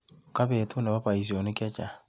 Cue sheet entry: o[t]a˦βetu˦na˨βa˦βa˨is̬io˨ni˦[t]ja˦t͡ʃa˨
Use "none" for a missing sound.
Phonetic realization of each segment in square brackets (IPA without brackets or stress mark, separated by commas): k, k